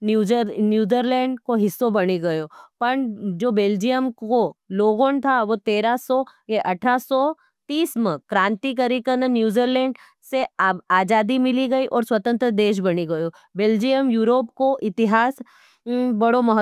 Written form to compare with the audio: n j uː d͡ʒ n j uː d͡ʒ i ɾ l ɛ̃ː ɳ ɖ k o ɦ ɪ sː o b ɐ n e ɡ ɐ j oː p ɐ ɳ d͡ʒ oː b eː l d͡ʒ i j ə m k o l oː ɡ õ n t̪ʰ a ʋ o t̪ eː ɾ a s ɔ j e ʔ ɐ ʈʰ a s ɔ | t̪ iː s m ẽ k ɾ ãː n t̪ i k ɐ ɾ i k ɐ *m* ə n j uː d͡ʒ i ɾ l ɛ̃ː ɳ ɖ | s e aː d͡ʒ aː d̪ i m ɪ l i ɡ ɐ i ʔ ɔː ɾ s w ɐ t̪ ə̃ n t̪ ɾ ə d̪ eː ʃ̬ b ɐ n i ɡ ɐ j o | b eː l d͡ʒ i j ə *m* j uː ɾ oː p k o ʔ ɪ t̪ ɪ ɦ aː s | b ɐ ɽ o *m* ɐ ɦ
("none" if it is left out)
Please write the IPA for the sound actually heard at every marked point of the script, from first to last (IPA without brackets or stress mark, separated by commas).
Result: n, m, m